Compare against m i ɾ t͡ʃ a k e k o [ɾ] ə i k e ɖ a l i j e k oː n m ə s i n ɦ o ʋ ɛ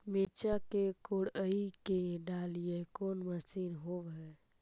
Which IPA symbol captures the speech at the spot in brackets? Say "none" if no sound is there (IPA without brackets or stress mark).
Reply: ɽ